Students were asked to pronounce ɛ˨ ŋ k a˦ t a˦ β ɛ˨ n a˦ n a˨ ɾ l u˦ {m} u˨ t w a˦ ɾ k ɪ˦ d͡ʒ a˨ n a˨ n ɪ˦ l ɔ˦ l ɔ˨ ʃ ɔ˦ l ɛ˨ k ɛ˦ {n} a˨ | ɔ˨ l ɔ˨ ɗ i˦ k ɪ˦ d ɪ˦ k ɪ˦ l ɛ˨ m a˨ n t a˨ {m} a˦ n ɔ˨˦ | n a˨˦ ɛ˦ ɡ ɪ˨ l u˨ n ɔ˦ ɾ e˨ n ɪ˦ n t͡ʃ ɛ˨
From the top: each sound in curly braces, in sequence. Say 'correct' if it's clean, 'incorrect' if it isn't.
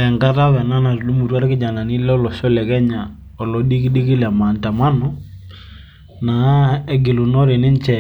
correct, incorrect: ɲ, correct

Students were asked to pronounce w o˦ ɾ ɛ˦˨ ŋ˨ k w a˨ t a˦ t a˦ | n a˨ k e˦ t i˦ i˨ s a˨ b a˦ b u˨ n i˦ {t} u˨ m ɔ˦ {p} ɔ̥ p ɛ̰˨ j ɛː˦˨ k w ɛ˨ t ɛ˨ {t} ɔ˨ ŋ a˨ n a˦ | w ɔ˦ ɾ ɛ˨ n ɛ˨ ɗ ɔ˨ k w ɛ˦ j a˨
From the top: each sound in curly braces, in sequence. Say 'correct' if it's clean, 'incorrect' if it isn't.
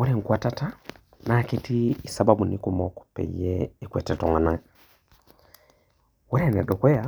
incorrect: k, incorrect: k, correct

